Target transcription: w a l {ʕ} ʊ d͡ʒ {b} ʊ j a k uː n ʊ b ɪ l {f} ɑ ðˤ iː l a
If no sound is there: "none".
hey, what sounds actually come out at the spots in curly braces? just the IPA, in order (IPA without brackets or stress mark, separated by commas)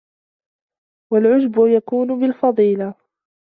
ʕ, b, f